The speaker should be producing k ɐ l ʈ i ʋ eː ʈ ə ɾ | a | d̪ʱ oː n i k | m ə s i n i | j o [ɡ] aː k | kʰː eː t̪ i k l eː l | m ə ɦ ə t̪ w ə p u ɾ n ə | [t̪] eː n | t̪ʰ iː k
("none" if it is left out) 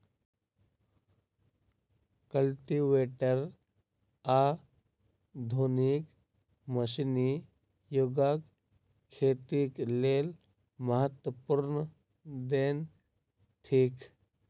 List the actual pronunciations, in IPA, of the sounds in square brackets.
ɡ, d̪

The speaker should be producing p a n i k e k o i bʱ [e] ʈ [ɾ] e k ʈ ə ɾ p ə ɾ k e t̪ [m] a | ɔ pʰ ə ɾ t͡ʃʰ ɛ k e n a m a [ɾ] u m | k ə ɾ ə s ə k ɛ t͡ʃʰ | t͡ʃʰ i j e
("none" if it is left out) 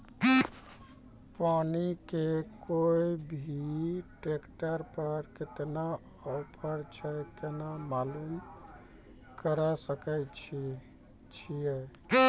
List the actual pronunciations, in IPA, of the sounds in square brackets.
i, ɾ, n, l

